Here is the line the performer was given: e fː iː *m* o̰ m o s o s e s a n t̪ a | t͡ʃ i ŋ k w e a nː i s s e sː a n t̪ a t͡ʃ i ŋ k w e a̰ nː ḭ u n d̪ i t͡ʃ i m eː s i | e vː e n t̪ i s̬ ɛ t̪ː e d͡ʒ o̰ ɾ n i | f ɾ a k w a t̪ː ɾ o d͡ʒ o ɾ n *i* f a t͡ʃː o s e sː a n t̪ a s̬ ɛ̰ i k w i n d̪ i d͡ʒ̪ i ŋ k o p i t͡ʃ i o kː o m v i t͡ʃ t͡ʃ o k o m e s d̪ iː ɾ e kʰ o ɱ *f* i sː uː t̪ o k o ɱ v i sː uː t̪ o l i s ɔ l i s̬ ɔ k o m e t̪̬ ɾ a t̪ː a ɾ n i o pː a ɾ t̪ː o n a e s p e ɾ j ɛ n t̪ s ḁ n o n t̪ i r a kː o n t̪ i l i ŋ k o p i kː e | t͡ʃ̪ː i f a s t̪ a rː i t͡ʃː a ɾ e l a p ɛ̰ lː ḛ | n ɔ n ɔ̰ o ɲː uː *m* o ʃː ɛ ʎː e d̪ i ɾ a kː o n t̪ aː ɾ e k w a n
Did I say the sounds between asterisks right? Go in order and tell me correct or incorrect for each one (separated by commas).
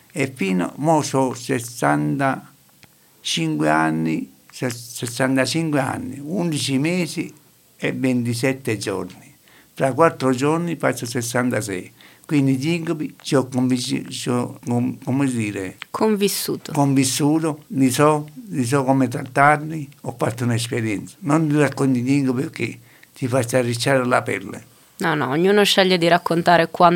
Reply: incorrect, correct, incorrect, incorrect